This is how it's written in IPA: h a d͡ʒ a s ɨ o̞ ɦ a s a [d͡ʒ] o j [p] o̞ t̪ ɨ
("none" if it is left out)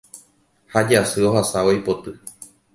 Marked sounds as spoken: none, p

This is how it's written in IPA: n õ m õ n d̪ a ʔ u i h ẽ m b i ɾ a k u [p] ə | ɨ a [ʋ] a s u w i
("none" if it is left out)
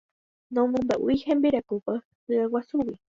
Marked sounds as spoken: p, w

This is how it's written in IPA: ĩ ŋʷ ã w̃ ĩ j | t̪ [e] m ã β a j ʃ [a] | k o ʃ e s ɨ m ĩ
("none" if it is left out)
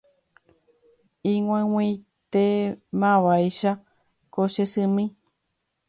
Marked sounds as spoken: e, a

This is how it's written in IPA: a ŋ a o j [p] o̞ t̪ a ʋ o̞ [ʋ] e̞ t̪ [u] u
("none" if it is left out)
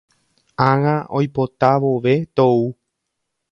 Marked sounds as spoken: p, ʋ, o

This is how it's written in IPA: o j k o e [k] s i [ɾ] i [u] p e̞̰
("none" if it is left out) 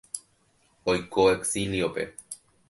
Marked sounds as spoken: k, l, o

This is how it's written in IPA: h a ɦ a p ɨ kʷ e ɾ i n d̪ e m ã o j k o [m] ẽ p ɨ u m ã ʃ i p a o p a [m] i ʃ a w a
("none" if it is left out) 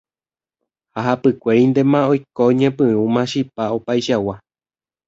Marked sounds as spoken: ɲ, none

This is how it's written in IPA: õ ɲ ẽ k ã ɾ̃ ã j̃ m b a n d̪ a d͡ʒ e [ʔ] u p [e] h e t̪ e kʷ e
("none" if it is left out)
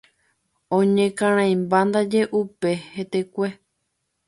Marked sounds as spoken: ʔ, e

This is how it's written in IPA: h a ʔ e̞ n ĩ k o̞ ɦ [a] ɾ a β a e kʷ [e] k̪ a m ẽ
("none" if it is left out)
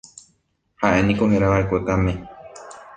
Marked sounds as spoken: e, e

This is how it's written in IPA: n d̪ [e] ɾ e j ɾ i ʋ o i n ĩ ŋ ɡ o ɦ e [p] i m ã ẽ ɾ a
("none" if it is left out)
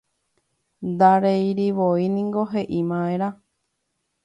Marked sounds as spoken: a, ʔ

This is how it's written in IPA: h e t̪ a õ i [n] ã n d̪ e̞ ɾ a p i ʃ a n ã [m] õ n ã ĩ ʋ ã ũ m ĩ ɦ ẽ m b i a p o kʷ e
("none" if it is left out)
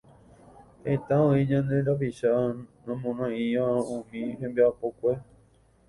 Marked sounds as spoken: ɲ, m

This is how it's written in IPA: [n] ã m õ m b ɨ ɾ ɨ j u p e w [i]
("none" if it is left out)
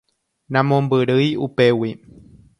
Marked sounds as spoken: n, i

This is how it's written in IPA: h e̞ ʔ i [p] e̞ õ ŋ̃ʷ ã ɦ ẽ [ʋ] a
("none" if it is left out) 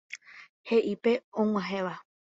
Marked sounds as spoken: p, ʋ

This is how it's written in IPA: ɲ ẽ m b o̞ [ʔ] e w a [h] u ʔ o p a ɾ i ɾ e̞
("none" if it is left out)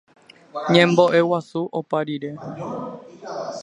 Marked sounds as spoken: ʔ, s

